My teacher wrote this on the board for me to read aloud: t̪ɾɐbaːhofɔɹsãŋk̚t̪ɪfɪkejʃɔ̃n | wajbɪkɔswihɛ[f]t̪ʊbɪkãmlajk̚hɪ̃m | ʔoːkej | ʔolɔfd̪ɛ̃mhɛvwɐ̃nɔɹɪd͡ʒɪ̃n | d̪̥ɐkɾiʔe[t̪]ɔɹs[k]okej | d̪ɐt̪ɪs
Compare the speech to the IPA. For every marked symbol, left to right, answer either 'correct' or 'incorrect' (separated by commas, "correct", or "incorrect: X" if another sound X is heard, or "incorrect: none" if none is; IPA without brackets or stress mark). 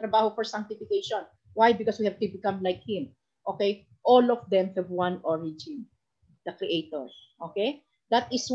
incorrect: v, correct, incorrect: ʔ